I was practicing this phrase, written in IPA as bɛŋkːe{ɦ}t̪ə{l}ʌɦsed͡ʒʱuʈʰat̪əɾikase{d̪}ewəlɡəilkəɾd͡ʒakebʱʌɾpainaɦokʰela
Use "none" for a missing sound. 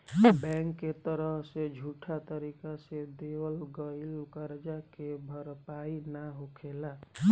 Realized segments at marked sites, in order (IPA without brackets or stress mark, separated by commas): none, ɾ, d̪